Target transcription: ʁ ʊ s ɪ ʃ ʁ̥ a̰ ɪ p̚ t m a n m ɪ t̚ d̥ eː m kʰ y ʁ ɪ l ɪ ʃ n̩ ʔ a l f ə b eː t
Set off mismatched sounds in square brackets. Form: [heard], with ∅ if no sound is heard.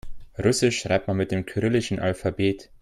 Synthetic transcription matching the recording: ʁ ʊ s ɪ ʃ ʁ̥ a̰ ɪ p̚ t m a n m ɪ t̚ d̥ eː m kʰ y ʁ ɪ l ɪ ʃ n̩ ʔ a l f [a] b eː t